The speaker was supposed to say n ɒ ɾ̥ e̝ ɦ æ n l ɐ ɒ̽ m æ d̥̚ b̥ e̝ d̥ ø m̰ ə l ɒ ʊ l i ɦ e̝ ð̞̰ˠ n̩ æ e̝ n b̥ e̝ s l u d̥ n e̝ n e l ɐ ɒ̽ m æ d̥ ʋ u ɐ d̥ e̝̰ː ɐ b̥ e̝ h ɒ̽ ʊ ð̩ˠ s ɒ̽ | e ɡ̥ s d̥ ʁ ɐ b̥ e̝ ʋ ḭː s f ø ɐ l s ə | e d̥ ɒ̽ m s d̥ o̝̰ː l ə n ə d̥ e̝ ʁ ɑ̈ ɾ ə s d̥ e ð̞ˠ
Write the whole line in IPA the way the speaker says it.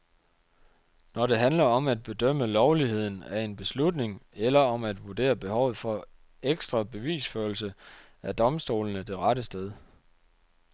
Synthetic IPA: n ɒ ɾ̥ e̝ ɦ æ n l ɐ ɒ̽ m æ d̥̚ b̥ e̝ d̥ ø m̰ ə l ɒ ʊ l i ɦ e̝ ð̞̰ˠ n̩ æ e̝ n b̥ e̝ s l u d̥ n e̝ ŋ e l ɐ ɒ̽ m æ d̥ ʋ u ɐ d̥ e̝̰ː ɐ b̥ e̝ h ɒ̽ ʊ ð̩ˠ f ɒ̽ | e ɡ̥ s d̥ ʁ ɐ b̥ e̝ ʋ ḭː s f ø ɐ l s ə | æ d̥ ɒ̽ m s d̥ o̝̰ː l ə n ə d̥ e̝ ʁ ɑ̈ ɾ ə s d̥ e ð̞ˠ